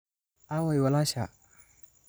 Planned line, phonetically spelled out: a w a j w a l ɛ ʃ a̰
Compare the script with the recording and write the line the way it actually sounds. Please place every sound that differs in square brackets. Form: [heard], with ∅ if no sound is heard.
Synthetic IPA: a w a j w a l [a] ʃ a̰